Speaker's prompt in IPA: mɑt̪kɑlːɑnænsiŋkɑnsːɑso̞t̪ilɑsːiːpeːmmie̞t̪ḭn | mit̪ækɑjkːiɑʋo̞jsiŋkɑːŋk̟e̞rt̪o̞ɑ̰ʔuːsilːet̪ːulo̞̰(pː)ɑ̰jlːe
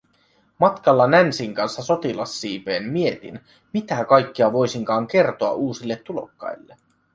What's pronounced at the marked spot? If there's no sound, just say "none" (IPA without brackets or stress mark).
kː